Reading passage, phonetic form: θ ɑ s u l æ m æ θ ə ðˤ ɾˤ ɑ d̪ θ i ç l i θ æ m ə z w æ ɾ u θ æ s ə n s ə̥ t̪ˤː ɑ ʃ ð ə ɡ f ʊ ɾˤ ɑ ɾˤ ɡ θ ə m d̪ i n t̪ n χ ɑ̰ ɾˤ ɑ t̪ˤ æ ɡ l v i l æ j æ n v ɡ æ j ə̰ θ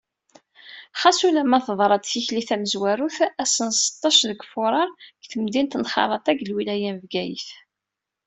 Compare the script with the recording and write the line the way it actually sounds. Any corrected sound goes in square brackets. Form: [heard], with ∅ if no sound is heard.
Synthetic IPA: [χ] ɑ s u l æ m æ θ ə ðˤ ɾˤ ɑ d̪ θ i ç l i θ æ m ə z w æ ɾ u θ æ s ə n s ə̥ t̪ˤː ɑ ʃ ð ə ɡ f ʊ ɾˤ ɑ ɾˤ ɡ θ ə m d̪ i n t̪ n χ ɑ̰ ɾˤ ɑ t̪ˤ æ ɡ l [w] i l æ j æ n v ɡ æ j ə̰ θ